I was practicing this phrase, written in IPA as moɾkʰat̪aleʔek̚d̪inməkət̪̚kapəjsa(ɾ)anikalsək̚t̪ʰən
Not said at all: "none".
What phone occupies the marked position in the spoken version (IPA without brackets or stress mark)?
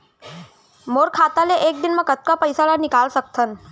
l